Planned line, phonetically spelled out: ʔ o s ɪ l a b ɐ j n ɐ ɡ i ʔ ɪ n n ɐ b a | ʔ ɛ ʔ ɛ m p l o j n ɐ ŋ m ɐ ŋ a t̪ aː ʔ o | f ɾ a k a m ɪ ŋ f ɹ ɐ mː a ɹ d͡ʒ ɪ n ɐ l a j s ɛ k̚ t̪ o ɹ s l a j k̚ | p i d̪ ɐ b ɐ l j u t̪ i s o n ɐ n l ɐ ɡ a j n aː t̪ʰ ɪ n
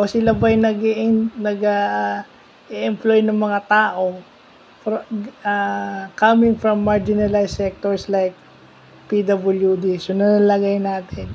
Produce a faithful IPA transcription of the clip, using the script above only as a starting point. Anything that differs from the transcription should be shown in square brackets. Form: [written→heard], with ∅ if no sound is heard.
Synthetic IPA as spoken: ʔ o s ɪ l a b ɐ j n ɐ ɡ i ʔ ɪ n n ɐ [b→ɡ] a | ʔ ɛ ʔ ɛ m p l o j n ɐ ŋ m ɐ ŋ a t̪ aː ʔ o | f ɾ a k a m ɪ ŋ f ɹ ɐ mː a ɹ d͡ʒ ɪ n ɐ l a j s ɛ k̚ t̪ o ɹ s l a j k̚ | p i d̪ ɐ b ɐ l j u [t̪→d̪] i s o n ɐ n l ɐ ɡ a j n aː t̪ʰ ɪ n